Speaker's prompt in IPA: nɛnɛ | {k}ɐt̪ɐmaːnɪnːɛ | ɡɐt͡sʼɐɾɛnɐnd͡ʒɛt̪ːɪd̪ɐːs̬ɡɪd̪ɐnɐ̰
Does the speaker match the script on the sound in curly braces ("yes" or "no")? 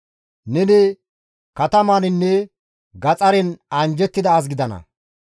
yes